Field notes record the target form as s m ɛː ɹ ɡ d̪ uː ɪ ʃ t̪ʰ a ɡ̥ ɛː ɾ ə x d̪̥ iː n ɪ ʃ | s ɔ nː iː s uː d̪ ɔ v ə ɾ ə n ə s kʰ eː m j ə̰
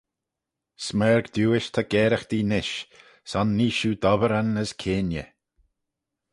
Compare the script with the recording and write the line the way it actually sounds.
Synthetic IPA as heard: s m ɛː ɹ ɡ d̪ uː ɪ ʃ t̪ʰ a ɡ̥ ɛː ɾ ə x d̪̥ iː n ɪ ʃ | s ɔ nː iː ʃ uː d̪ ɔ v ə ɾ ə n ə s kʰ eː n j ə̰